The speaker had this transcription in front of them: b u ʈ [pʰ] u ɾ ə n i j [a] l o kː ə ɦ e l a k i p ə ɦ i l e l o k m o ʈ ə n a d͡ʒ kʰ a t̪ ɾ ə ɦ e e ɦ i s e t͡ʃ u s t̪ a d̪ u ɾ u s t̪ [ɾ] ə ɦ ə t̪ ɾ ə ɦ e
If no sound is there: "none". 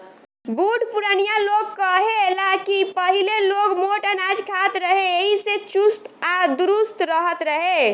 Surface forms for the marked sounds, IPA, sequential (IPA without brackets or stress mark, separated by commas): p, a, ɾ